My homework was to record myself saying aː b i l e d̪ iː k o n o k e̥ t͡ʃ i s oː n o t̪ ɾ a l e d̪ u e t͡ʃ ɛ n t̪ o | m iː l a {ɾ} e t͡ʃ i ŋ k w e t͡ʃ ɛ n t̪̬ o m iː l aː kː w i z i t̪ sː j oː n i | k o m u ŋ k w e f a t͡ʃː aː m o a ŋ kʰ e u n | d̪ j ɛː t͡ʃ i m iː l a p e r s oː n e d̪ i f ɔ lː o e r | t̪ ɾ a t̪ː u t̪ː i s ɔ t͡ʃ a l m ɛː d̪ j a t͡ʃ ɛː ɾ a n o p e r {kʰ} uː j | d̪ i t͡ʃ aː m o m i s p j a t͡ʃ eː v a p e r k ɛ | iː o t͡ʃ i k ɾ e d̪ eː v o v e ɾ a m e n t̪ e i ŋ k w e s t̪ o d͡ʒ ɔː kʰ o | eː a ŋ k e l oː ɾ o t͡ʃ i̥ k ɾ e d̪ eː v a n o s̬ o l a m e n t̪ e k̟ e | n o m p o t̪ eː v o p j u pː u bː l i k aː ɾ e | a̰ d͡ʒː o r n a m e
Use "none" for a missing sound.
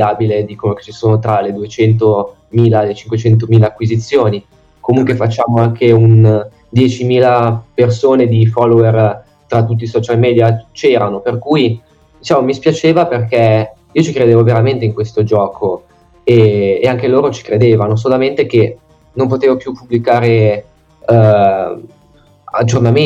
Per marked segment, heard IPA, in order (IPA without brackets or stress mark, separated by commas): l, k